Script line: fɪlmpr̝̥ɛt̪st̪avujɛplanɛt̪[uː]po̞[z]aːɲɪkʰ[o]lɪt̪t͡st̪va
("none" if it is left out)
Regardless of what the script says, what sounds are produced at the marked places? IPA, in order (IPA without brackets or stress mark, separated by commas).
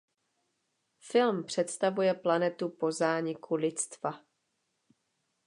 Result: u, z, u